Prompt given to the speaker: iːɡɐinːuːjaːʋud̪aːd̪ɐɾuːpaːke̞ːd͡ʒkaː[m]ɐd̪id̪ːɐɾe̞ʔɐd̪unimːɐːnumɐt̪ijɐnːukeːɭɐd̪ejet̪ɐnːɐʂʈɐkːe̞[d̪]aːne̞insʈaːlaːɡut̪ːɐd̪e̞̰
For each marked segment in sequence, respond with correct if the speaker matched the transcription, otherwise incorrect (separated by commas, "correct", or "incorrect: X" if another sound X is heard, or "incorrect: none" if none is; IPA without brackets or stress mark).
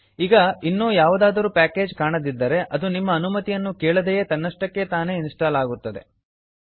incorrect: ɳ, incorrect: t̪